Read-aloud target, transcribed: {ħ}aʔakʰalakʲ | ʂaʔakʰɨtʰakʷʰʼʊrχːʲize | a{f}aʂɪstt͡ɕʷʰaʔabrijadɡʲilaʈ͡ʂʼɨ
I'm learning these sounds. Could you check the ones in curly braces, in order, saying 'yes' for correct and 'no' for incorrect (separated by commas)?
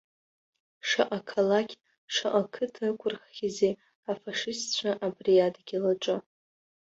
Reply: no, yes